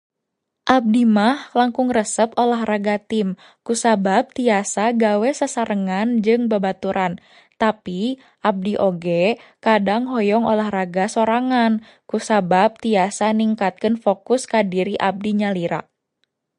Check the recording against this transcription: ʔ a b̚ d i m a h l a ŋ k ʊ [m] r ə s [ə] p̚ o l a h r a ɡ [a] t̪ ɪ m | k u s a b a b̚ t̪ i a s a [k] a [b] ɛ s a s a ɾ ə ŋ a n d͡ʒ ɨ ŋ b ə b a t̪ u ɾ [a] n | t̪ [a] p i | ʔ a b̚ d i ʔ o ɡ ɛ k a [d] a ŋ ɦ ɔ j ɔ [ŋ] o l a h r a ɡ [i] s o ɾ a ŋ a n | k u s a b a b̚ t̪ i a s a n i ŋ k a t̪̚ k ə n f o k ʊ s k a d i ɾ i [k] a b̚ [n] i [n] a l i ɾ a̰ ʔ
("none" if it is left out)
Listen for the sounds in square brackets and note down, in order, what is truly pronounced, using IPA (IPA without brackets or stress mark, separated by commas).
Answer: ŋ, ə, a, ɡ, w, a, a, d, ŋ, a, ʔ, d, ɲ